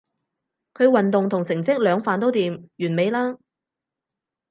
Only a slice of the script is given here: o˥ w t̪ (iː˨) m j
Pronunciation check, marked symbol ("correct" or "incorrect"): correct